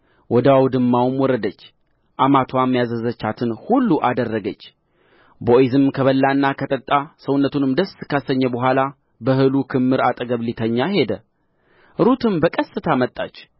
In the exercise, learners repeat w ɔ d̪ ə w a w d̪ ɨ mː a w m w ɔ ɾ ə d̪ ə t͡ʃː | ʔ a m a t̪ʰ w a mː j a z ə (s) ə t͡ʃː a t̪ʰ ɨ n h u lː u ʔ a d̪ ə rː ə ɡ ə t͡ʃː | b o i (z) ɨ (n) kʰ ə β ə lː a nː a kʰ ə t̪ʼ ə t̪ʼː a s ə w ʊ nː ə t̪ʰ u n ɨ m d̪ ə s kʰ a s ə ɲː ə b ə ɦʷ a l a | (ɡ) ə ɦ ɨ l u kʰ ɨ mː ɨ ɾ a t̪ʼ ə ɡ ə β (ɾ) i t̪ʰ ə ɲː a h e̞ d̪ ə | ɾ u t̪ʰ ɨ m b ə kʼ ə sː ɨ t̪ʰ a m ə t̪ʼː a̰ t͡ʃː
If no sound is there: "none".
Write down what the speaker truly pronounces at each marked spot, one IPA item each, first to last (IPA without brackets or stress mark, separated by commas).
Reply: z, z, m, b, l